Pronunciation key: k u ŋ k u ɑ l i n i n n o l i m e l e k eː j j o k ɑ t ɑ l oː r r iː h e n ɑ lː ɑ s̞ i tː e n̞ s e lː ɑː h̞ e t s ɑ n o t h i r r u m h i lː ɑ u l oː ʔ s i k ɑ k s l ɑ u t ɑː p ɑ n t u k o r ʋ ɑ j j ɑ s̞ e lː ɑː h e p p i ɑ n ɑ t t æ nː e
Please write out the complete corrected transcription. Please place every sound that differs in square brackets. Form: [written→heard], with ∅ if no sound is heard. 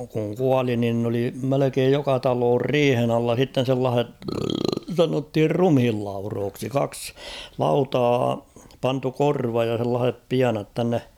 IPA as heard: k u ŋ k u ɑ l i n i n n o l i m e l e k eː j j o k ɑ t ɑ l oː r r iː h e n ɑ lː ɑ s̞ i tː e n̞ s e lː ɑː h̞ e t s ɑ n o t h i r r u m h i lː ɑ u [l→r] oː [ʔ→k] s i k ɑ k s l ɑ u t ɑː p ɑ n t u k o r ʋ ɑ j j ɑ s̞ e lː ɑː h e p p i ɑ n ɑ t t æ nː e